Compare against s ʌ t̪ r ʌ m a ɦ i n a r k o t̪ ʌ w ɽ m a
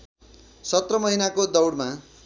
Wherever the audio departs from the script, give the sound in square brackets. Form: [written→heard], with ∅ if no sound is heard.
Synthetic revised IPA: s ʌ t̪ r ʌ m [a→ʌ] ɦ i n a [r→∅] k o [t̪→d̪] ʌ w ɽ m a